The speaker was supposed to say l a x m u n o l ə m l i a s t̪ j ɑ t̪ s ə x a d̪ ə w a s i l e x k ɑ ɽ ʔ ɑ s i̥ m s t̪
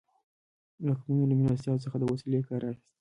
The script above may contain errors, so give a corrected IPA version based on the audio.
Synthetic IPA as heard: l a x m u n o l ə m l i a s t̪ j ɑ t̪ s ə x a d̪ ə w a s i l e k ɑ ɾ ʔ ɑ x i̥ s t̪